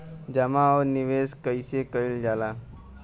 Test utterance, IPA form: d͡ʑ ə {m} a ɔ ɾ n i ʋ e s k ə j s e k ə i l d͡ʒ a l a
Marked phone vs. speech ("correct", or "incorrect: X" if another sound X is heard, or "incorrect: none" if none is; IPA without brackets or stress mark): correct